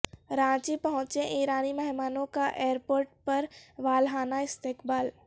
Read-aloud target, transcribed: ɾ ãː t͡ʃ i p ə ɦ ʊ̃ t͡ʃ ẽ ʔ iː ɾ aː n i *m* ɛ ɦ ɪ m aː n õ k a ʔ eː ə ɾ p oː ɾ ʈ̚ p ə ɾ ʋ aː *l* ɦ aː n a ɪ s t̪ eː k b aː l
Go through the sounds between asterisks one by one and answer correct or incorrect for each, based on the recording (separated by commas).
correct, correct